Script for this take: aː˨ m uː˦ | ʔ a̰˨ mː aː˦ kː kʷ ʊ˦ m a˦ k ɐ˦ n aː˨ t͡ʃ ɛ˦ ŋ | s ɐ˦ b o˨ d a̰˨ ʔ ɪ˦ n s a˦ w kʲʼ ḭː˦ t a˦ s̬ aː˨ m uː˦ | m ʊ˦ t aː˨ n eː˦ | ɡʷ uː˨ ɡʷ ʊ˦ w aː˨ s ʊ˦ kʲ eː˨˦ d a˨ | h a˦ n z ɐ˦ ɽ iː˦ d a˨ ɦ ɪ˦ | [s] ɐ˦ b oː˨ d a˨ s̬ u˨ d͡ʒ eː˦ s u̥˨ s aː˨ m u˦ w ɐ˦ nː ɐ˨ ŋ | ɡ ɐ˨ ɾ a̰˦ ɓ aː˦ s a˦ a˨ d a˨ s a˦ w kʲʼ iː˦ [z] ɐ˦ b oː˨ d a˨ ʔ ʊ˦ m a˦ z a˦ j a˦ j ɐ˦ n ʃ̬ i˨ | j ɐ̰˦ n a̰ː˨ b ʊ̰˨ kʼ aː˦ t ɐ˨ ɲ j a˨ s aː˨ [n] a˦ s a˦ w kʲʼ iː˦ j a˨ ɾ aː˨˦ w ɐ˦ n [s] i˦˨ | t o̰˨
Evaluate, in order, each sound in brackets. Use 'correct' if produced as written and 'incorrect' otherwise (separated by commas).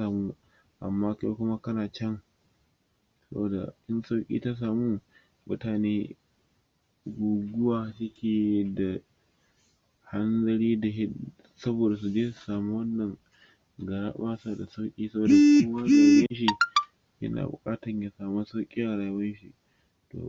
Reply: correct, incorrect, incorrect, incorrect